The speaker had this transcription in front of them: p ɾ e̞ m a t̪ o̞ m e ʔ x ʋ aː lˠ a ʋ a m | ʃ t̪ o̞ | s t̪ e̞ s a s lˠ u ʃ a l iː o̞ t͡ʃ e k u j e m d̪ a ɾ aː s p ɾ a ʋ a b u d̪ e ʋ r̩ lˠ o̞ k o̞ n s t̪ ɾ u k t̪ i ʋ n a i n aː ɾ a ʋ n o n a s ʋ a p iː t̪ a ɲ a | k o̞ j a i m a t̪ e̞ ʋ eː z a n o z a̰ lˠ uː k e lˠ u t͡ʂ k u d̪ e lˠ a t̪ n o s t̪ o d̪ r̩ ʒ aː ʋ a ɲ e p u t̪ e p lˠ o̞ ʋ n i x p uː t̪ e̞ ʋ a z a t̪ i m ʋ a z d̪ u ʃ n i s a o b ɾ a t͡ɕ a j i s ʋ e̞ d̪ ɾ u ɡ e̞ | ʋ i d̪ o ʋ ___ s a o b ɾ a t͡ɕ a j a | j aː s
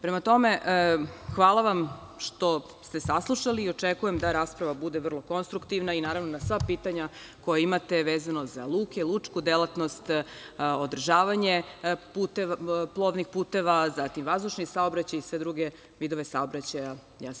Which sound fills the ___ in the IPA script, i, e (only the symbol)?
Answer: e